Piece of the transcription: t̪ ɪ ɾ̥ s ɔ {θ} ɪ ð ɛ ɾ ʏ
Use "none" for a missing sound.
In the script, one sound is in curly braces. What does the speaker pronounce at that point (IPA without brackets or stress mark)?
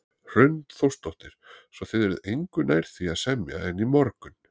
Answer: θ